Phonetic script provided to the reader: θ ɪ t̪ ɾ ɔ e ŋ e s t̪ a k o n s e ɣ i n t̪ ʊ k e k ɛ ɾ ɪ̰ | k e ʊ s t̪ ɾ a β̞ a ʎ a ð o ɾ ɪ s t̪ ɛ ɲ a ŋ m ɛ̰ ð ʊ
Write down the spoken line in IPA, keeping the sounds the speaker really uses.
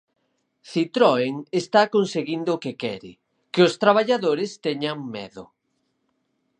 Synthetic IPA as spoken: θ i t̪ ɾ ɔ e ŋ e s t̪ a k o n s e ɣ i n d̪ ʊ k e k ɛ ɾ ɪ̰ | k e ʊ s t̪ ɾ a β̞ a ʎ a ð o ɾ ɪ s t̪ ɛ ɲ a ŋ m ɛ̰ ð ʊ